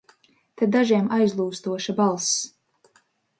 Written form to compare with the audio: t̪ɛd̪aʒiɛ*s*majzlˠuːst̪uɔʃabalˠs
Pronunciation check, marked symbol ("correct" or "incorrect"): incorrect